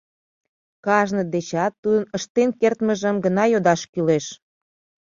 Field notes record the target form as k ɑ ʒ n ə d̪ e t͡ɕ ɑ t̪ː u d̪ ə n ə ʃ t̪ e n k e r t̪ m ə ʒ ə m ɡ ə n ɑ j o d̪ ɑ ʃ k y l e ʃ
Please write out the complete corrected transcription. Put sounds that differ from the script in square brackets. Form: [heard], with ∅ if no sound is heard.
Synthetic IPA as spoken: k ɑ ʒ n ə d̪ e t͡ɕ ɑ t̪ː u d̪ ə n ə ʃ t̪ e n k e r t̪ m ə ʒ ə m ɡ ə n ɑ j o d̪ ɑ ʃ k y l e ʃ